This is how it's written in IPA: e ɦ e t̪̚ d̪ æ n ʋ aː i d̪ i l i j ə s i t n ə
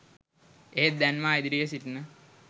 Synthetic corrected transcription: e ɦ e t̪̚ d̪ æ n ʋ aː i d̪ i ɾ i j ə s i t n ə